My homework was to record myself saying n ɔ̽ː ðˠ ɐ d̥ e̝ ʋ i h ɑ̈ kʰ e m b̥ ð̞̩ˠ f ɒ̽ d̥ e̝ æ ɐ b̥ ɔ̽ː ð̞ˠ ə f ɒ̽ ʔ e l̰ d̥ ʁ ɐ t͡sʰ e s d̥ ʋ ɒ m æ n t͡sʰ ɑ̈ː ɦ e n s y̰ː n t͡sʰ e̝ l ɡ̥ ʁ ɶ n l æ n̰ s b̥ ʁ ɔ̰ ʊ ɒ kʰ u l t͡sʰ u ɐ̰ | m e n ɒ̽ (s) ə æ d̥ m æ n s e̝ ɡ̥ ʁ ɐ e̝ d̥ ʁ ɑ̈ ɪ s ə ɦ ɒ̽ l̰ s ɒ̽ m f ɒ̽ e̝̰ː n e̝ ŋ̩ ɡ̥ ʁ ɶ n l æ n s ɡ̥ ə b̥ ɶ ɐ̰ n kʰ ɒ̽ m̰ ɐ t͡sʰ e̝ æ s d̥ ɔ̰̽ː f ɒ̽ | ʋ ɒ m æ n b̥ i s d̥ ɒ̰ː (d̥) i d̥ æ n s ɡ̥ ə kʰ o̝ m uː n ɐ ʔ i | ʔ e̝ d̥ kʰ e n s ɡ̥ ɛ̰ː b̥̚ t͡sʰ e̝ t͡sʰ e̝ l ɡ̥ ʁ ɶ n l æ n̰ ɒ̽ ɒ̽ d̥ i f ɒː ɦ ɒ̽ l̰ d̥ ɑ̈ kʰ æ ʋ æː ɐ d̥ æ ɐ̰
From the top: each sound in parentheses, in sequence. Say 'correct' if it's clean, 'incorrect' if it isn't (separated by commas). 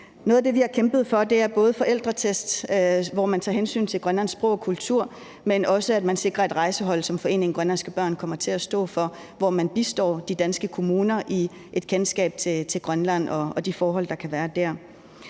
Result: correct, correct